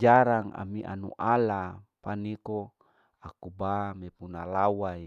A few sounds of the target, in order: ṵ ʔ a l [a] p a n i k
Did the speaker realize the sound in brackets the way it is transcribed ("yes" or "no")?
yes